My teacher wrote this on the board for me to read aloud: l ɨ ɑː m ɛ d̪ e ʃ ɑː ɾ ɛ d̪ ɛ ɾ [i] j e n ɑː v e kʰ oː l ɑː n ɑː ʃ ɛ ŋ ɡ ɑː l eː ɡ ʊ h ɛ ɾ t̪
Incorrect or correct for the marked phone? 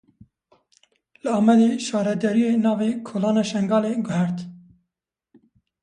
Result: correct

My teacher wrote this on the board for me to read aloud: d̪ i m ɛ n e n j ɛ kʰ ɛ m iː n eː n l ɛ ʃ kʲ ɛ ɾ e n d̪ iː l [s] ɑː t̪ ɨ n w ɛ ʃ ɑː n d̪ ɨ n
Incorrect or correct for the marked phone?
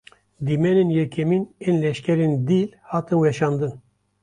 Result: incorrect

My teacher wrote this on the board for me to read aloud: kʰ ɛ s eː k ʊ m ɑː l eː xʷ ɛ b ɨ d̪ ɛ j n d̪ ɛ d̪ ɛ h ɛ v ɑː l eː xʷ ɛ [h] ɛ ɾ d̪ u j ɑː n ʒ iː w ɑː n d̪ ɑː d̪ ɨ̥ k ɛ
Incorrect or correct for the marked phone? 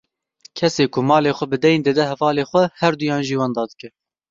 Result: correct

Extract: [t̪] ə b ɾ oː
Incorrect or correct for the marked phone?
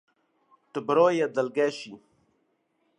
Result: correct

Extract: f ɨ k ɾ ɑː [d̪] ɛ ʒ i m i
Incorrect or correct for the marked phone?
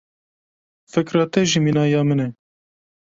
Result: incorrect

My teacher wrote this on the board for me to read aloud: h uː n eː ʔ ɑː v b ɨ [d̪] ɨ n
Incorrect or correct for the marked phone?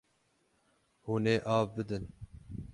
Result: correct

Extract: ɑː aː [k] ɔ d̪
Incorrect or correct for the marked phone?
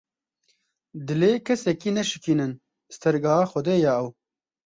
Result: incorrect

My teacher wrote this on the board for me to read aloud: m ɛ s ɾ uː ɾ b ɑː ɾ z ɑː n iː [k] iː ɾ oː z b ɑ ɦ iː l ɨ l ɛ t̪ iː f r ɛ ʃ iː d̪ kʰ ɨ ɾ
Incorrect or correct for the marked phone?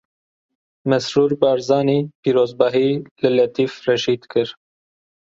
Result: incorrect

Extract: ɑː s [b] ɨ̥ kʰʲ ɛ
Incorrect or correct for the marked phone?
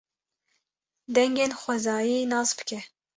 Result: correct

